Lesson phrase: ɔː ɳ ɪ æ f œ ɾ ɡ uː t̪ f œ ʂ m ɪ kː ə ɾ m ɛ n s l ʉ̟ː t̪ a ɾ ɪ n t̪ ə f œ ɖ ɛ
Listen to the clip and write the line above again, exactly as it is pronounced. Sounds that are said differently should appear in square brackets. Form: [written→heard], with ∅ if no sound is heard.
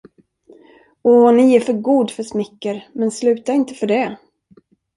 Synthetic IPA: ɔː [ɳ→n] ɪ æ f œ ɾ ɡ uː [t̪→d̪] f œ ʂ m ɪ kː ə ɾ m ɛ n s l ʉ̟ː t̪ a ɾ ɪ n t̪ ə f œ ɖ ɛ